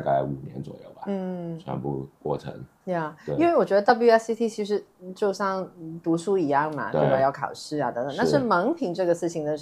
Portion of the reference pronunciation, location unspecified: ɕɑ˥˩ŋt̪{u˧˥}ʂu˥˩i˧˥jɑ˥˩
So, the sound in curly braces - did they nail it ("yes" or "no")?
yes